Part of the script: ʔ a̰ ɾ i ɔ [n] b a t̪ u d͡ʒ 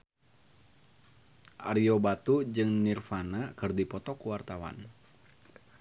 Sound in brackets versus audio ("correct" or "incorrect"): incorrect